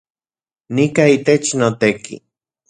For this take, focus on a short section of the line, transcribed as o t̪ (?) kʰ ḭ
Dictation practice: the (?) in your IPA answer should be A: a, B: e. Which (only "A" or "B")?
B